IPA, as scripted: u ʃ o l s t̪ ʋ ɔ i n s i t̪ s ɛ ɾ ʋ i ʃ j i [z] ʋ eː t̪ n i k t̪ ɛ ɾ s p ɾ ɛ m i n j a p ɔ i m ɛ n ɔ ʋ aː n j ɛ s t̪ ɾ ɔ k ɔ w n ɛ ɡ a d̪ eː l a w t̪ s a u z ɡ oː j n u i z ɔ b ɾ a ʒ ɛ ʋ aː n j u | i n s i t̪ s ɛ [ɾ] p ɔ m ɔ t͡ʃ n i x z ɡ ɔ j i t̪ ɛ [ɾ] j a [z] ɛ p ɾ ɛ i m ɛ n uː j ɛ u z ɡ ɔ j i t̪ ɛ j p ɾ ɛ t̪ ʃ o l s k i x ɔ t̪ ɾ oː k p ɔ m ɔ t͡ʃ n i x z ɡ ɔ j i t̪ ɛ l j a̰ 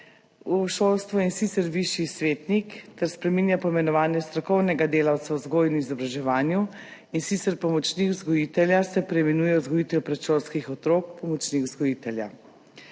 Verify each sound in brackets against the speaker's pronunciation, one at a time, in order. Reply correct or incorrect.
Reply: incorrect: s, correct, incorrect: l, incorrect: s

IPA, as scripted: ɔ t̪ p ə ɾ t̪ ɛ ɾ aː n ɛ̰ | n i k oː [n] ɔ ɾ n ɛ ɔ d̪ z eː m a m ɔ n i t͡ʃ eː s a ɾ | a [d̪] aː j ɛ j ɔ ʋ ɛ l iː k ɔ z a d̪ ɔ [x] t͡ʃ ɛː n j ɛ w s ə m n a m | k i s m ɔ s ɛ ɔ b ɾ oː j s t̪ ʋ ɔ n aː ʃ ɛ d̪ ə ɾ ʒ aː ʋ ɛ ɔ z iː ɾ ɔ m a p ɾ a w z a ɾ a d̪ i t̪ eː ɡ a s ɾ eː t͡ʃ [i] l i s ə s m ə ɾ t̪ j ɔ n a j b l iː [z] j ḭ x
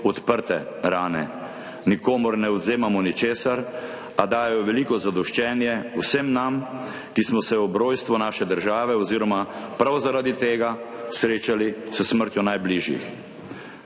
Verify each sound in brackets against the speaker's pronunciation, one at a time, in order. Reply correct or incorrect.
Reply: incorrect: m, correct, incorrect: ʃ, incorrect: a, incorrect: ʒ

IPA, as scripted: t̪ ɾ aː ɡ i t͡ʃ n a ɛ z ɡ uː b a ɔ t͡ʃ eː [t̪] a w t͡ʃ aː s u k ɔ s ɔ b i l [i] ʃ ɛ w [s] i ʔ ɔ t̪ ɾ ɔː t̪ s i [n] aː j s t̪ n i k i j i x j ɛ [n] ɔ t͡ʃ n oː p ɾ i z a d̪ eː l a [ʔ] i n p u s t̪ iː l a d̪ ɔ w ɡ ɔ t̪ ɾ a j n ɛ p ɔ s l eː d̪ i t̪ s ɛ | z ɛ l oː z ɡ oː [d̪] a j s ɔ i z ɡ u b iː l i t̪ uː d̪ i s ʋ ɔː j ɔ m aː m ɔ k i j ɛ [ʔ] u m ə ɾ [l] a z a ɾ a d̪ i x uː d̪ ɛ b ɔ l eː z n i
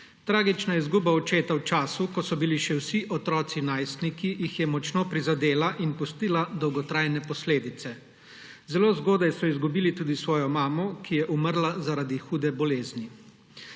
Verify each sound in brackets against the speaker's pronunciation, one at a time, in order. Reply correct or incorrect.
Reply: correct, correct, correct, correct, incorrect: m, correct, correct, correct, correct

